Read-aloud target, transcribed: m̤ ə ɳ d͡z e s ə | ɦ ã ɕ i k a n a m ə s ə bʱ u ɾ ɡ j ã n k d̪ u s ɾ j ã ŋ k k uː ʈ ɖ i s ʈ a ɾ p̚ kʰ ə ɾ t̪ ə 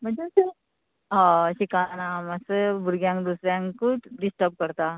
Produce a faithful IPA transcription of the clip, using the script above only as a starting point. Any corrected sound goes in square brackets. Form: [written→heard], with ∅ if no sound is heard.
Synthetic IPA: m̤ ə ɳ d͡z e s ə | ɦ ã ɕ i k a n a m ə s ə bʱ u ɾ ɡ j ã [n→ŋ] k d̪ u s ɾ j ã ŋ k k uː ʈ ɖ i s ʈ [a→ə] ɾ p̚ [kʰ→k] ə ɾ t̪ [ə→a]

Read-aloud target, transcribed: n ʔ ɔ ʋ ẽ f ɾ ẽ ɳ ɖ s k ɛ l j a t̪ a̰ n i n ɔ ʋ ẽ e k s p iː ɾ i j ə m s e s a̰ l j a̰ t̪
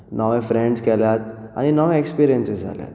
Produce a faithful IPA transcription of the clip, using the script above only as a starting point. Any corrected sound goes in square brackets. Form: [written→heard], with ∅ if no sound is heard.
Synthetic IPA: n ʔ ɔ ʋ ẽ f ɾ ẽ ɳ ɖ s k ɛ l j a t̪ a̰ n i n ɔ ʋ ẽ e k s p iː ɾ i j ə [m→n] s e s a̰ l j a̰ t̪

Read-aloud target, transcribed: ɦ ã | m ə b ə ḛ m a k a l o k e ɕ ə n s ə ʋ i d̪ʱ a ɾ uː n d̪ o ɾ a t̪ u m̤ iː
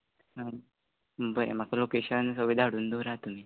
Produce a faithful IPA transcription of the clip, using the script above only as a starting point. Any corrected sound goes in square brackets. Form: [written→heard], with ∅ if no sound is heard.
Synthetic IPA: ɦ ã | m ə b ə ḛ m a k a l o k e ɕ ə n s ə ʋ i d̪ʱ a [ɾ→ɽ] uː n d̪ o ɾ a t̪ u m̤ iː

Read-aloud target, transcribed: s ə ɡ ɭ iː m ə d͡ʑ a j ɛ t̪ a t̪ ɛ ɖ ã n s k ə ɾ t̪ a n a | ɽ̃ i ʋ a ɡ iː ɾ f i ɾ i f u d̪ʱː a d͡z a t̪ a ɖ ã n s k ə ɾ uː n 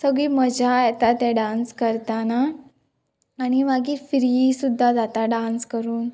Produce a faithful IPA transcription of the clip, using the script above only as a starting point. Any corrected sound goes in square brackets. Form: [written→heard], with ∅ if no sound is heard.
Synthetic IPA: s ə ɡ ɭ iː m ə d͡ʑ a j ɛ t̪ a t̪ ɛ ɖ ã n s k ə ɾ t̪ a n a | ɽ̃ i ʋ a ɡ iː ɾ f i ɾ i [f→s] u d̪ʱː a d͡z a t̪ a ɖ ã n s k ə ɾ uː n

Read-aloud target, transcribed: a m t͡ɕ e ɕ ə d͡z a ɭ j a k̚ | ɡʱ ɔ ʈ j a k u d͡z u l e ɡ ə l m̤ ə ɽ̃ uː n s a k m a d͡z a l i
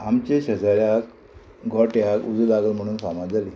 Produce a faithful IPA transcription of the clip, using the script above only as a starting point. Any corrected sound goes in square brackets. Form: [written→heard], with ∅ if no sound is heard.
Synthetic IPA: a m t͡ɕ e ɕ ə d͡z a [ɭ→ɾ] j a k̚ | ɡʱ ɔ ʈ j a k u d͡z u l [e→a] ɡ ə l m̤ ə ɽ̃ uː n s a [k→∅] m a d͡z a l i

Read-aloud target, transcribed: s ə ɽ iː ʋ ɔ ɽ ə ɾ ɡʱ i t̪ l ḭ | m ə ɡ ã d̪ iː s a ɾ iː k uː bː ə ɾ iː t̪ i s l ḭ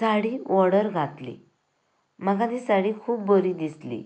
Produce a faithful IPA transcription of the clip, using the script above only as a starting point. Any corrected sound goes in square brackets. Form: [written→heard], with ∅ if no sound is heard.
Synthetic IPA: s [ə→a] ɽ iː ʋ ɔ ɽ ə ɾ ɡʱ [i→a] t̪ l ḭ | m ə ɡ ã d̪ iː s a [ɾ→ɽ] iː [k→kʰ] uː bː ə ɾ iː [t̪→d̪] i s l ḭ

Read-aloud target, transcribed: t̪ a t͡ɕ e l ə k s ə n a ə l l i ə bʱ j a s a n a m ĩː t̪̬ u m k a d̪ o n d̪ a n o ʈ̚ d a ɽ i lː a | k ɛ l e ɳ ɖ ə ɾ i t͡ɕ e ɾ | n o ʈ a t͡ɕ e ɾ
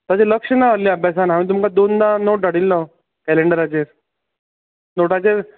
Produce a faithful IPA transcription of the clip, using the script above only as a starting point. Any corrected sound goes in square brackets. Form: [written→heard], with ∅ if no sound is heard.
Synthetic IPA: t̪ a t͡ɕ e l ə k [s→ʂ] ə n a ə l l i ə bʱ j a s a n a m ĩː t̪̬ u m k a d̪ o n d̪ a n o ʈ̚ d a ɽ i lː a | k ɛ l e ɳ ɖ ə ɾ [i→a] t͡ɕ e ɾ | n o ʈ a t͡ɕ e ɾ

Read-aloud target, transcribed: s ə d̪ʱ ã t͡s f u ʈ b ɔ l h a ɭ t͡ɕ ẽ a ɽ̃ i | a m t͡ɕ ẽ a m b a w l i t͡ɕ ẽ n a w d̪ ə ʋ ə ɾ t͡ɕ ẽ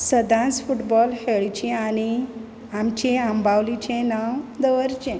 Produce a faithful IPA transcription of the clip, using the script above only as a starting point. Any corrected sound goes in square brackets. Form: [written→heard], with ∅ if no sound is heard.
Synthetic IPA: s ə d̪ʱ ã t͡s f u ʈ b ɔ l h [a→e] ɭ t͡ɕ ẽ a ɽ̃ i | a m t͡ɕ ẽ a m b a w l i t͡ɕ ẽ n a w d̪ ə ʋ ə ɾ t͡ɕ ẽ

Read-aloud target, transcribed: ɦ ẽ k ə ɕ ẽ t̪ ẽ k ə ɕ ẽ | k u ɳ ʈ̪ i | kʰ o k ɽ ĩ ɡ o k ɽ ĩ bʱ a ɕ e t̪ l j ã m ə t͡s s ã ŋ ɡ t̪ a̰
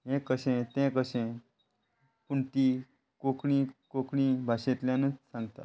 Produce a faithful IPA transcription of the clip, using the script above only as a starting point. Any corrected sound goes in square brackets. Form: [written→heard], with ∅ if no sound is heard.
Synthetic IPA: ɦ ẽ k ə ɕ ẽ t̪ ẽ k ə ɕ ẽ | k u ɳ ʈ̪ i | [kʰ→k] o k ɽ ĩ [ɡ→k] o k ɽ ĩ bʱ a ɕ e t̪ l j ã [m→n] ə t͡s s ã ŋ ɡ t̪ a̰

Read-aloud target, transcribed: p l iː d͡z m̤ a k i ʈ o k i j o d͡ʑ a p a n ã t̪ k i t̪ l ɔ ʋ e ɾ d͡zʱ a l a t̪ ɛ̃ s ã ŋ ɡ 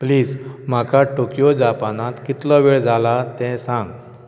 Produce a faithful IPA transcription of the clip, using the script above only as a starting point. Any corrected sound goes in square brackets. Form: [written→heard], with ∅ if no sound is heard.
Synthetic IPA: p l iː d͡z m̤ a k [i→a] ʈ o k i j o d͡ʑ a p a n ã t̪ k i t̪ l ɔ ʋ e [ɾ→ɭ] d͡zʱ a l a t̪ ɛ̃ s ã ŋ ɡ

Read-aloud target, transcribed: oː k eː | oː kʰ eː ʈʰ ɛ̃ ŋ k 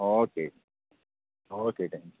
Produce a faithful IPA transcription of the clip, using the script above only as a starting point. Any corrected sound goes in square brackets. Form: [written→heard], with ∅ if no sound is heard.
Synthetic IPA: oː k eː | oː [kʰ→k] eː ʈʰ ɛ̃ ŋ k

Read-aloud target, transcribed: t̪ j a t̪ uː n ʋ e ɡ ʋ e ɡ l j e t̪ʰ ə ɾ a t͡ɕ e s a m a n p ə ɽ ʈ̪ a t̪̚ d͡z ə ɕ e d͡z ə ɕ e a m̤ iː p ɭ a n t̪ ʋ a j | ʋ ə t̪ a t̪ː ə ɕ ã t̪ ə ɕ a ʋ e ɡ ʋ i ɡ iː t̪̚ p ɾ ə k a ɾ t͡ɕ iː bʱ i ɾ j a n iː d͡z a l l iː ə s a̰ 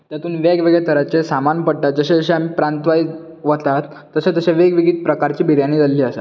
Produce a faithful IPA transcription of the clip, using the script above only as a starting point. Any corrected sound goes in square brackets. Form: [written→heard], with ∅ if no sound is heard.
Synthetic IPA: t̪ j a t̪ uː n ʋ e ɡ ʋ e ɡ [l→ɭ] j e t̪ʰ ə ɾ a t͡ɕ e s a m a n p ə ɽ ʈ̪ a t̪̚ d͡z ə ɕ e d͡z ə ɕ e a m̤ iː p [ɭ→ɾ] a n t̪ ʋ a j | ʋ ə t̪ a t̪ː ə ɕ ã t̪ ə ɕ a ʋ e ɡ ʋ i ɡ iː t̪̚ p ɾ ə k a ɾ t͡ɕ iː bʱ i ɾ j a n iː d͡z a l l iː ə s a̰

